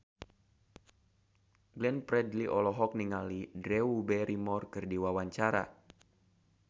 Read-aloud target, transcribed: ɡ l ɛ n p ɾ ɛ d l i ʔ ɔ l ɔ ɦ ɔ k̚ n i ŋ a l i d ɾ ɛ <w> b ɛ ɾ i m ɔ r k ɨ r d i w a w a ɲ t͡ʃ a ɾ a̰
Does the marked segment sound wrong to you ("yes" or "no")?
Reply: yes